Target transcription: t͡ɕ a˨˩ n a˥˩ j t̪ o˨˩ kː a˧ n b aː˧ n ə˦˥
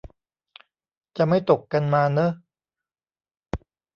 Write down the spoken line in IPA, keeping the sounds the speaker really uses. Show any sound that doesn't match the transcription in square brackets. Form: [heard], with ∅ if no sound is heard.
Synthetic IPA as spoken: t͡ɕ a˨˩ [m] a˥˩ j t̪ o˨˩ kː a˧ n [m] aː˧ n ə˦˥